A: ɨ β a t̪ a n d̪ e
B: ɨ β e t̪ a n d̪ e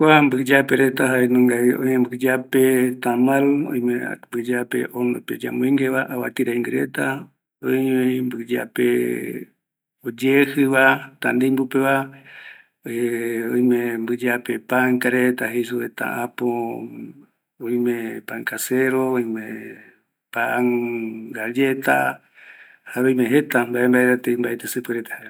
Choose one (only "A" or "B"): A